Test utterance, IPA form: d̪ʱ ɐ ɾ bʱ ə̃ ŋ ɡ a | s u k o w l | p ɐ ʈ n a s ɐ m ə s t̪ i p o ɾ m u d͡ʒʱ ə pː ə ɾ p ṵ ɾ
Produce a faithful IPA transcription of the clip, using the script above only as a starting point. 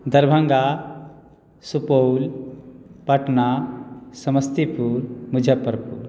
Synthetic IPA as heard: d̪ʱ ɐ ɾ bʱ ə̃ ŋ ɡ a | s u p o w l | p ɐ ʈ n a s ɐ m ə s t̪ i p u ɾ m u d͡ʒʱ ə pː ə ɾ p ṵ ɾ